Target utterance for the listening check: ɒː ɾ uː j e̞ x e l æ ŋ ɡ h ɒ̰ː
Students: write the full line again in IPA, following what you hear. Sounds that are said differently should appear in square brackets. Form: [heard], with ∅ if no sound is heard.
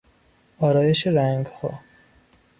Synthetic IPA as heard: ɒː ɾ [ɒː] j e̞ [ʃ] e [ɾ] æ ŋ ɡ h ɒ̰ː